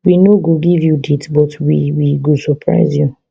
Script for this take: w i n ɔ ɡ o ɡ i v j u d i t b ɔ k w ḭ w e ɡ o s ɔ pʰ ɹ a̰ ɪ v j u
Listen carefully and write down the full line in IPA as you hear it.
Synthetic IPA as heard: w i n o ɡ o ɡ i v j u d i t b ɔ t w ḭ w i ɡ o s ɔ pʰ ɹ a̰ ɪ z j u